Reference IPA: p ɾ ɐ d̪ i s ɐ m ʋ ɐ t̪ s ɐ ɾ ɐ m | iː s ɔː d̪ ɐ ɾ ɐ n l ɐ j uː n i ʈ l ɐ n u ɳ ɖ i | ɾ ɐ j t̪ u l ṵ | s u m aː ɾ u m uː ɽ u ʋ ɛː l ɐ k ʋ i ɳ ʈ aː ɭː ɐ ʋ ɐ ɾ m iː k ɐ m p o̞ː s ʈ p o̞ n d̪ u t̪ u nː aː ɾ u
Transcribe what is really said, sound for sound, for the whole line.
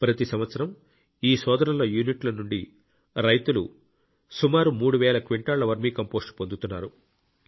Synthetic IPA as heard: p ɾ ɐ t̪ i s ɐ m ʋ ɐ t̪ s ɐ ɾ ɐ m | iː s ɔː d̪ ɐ ɾ ɐ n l ɐ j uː n i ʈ l ɐ n u ɳ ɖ i | ɾ ɐ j t̪ u l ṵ | s u m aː ɾ u m uː ɽ u ʋ ɛː l ɐ k ʋ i ɳ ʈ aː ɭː ɐ ʋ ɐ ɾ m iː k ɐ m p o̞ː s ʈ p o̞ n d̪ u t̪ u nː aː ɾ u